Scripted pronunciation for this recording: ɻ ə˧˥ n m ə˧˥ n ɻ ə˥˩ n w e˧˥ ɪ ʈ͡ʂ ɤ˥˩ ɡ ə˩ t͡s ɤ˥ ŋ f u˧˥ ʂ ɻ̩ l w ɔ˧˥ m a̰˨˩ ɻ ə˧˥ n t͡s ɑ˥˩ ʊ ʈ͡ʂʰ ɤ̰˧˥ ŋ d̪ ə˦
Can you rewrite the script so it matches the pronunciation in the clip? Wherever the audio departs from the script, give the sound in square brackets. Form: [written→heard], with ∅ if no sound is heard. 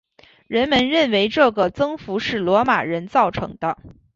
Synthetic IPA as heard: ɻ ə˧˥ n m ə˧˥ n ɻ ə˥˩ n w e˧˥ ɪ ʈ͡ʂ ɤ˥˩ ɡ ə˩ t͡s ɤ˥ ŋ f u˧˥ ʂ ɻ̩ l w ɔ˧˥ m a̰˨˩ ɻ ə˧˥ n t͡s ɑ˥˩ ʊ ʈ͡ʂʰ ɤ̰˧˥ ŋ d̪ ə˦